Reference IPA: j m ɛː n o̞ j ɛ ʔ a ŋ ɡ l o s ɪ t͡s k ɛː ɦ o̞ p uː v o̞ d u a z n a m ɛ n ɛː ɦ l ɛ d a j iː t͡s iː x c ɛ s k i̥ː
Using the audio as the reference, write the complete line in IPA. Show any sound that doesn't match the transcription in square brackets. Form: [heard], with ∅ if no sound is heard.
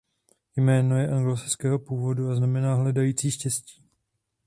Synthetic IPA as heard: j m ɛː n o̞ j ɛ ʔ a ŋ ɡ l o s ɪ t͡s k ɛː ɦ o̞ p uː v o̞ d u a z n a m ɛ n [aː] ɦ l ɛ d a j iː t͡s iː [ʃ] c ɛ s [c] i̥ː